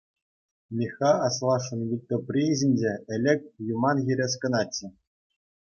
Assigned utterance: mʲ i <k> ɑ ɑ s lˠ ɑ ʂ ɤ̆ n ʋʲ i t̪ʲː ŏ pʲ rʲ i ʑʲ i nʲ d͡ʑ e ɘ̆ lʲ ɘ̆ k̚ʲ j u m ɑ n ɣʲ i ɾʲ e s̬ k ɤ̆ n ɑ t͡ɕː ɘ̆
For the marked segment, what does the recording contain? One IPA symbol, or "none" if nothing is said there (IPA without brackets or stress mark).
x